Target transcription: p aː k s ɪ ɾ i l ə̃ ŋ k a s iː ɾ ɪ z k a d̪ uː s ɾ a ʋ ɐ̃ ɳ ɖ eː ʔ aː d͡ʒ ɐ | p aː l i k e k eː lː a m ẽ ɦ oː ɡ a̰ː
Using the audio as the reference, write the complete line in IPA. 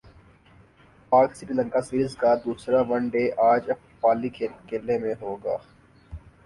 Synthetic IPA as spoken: p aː k s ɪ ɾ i l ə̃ ŋ k a s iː ɾ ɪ z k a d̪ uː s ɾ a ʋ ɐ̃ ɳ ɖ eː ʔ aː d͡ʒ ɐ | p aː l i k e k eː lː e m ẽ ɦ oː ɡ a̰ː